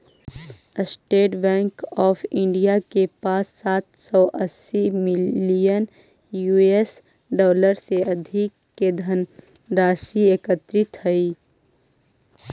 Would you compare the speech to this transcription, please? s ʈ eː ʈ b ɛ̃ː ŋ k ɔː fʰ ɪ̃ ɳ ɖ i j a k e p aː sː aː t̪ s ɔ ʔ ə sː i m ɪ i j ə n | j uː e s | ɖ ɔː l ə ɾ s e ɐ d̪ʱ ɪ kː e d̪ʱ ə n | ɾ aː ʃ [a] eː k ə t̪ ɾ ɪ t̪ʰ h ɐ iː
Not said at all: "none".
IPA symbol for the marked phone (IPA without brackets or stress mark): i